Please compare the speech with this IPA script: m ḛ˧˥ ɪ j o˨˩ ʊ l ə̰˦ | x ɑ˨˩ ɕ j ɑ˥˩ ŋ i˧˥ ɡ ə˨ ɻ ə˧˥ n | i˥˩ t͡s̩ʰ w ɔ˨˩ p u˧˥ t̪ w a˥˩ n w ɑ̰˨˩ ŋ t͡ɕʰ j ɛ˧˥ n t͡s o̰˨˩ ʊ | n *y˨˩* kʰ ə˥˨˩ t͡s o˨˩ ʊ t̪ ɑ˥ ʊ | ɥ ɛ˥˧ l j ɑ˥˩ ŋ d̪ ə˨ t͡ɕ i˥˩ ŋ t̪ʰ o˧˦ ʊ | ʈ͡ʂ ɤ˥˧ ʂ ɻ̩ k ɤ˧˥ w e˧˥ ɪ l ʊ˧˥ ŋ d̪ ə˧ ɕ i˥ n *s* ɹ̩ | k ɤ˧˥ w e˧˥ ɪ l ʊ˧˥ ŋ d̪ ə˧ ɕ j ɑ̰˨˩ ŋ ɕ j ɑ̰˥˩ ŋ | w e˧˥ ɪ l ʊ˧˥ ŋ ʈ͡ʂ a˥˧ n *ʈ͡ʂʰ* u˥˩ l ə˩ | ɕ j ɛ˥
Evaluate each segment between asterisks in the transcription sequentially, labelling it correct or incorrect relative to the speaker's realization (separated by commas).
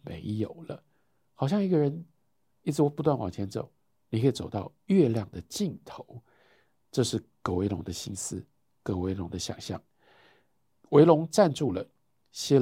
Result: incorrect, correct, incorrect